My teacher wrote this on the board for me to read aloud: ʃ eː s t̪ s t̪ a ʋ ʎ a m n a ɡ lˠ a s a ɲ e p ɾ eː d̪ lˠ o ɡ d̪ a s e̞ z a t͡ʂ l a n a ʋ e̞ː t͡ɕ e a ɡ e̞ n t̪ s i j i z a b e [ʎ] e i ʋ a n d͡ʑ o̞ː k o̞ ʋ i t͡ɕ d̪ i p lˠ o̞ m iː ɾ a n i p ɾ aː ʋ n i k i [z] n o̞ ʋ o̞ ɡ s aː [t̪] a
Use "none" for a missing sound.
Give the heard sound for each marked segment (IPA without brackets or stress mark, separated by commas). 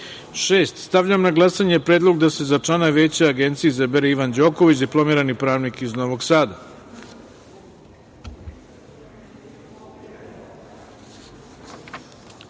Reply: ɾ, z, d̪